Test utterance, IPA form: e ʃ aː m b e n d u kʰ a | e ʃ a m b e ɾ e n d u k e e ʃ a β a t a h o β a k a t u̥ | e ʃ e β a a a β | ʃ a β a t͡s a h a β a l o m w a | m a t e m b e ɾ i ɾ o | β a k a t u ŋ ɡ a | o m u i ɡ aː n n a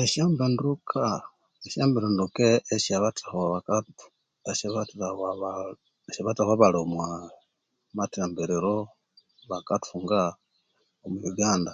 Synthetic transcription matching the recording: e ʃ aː m b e n d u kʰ a | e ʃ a m b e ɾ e n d u k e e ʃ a β a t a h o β a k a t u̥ | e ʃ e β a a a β | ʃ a β a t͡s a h a β a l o m w a | m a t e m b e ɾ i ɾ o | β a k a t u ŋ ɡ a | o m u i ɡ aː n d a